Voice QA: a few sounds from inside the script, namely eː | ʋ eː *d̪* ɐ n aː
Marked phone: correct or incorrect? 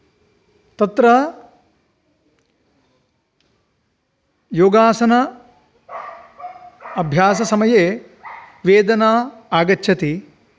correct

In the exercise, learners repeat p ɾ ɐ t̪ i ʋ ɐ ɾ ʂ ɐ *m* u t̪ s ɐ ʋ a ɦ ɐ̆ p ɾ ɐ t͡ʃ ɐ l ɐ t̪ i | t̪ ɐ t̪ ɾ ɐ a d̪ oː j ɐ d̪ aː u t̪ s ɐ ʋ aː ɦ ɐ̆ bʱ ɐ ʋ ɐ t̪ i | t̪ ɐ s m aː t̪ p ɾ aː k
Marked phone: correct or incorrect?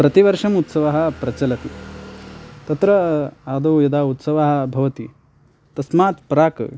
correct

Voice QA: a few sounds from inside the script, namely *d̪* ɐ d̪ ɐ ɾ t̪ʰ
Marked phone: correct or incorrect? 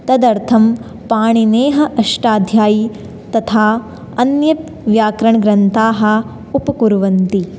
incorrect: t̪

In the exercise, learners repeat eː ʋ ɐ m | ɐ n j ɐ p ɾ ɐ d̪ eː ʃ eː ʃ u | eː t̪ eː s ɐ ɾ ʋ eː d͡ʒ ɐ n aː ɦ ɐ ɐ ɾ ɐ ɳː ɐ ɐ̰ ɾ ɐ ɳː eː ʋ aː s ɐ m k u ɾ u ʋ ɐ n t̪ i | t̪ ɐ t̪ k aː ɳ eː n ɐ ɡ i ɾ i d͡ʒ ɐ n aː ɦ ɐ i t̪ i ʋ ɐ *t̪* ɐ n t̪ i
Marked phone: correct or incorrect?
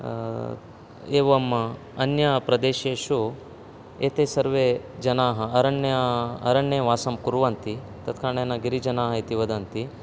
incorrect: d̪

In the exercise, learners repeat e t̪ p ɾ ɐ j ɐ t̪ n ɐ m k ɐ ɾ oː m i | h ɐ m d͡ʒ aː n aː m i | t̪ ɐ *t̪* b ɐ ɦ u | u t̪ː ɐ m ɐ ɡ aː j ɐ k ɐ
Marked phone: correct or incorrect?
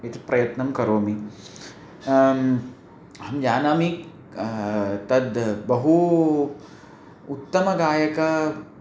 incorrect: d̪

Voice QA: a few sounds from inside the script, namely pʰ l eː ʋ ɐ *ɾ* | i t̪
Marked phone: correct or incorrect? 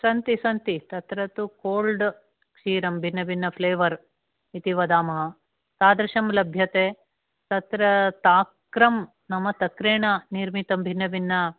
correct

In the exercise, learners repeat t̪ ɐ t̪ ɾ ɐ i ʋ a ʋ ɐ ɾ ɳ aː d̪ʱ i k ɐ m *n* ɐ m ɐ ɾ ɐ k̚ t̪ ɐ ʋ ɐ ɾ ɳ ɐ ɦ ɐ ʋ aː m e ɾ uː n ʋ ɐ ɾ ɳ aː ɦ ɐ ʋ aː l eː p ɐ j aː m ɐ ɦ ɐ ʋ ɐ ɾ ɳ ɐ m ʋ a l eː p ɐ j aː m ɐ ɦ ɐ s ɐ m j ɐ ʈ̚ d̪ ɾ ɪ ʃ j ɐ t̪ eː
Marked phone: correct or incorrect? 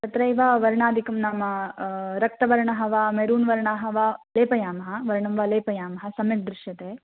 correct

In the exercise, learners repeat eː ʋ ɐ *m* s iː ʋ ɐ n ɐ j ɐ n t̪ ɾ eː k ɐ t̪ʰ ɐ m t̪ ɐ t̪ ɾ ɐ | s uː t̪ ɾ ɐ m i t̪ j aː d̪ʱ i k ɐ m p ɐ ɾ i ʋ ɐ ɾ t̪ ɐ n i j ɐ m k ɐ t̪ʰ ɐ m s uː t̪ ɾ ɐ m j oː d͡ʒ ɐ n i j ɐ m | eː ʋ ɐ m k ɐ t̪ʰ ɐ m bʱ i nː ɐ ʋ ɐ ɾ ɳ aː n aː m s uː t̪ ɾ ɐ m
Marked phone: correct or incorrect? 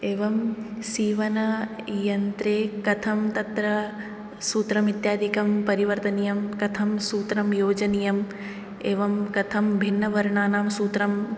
correct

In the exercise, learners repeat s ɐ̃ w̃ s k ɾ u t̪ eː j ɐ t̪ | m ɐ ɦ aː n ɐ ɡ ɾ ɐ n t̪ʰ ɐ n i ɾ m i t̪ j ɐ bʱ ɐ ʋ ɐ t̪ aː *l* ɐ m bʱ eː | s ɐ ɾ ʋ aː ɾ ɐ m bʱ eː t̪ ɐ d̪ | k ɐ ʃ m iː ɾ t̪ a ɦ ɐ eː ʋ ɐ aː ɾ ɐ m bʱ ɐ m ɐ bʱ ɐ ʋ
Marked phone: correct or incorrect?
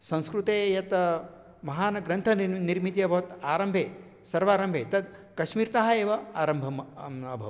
incorrect: ɾ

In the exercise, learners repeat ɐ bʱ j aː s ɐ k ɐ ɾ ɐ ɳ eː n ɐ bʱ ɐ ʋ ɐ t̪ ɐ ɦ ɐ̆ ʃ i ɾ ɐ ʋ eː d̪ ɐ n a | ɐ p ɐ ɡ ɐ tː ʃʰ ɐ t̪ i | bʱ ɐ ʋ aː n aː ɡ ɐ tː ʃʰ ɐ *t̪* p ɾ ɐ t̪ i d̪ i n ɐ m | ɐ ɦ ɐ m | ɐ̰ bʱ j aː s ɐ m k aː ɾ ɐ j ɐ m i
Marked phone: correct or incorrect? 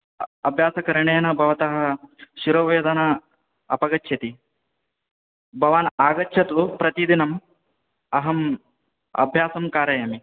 correct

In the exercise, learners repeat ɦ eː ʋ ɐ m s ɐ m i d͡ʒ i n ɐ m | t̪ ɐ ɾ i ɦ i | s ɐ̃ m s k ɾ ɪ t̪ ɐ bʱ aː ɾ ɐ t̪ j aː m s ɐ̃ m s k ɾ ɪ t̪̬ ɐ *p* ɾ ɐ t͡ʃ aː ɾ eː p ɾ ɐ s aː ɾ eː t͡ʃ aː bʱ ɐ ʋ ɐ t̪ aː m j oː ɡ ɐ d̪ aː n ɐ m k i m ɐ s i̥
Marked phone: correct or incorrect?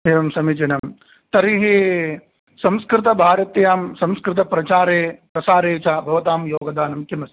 correct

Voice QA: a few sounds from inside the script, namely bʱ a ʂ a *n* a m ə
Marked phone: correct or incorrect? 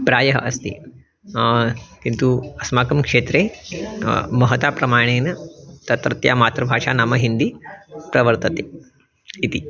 correct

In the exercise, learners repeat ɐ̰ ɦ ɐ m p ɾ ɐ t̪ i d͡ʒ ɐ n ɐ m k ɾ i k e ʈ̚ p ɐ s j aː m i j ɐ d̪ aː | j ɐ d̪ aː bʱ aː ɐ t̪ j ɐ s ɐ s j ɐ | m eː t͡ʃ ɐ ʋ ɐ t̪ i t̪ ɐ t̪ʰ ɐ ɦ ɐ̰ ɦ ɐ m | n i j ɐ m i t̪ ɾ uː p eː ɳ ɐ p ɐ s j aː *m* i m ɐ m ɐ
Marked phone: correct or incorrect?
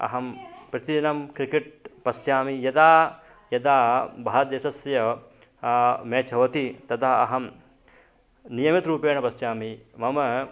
correct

